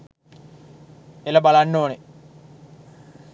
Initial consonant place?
alveolar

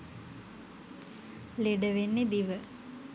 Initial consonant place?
alveolar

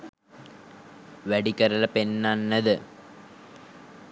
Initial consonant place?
labial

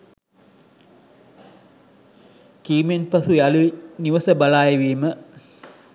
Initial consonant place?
velar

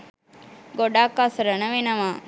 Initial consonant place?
velar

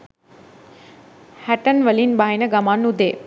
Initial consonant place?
glottal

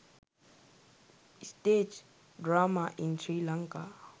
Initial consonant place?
alveolar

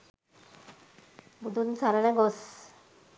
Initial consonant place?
labial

